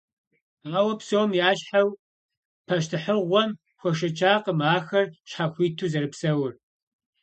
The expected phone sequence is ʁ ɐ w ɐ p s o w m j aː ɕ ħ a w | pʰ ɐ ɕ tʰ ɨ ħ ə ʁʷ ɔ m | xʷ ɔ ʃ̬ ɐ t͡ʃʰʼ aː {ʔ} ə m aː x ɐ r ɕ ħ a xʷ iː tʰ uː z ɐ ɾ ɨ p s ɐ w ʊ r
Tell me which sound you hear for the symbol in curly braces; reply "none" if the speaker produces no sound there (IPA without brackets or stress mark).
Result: q